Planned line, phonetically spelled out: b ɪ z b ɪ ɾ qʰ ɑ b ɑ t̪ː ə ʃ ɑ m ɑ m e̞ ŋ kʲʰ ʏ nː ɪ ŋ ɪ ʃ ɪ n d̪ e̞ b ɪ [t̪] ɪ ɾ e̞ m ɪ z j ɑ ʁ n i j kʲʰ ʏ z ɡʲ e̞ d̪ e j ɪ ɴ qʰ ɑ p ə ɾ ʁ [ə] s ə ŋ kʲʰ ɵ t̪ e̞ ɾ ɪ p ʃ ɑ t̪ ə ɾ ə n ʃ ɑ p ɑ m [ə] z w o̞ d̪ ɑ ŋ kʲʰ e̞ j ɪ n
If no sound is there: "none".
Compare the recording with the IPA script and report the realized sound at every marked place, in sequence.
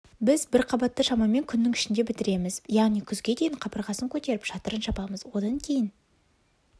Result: t̪, ɑ, ə

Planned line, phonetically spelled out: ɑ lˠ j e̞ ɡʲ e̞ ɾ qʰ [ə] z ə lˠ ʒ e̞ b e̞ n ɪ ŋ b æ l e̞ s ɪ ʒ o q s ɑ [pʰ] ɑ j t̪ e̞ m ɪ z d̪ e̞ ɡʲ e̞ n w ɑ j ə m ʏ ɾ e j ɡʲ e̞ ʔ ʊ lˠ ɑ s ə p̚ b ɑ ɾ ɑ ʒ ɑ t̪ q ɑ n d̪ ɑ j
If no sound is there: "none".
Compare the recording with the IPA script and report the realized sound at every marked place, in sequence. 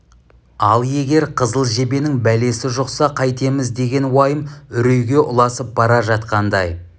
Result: ə, qʰ

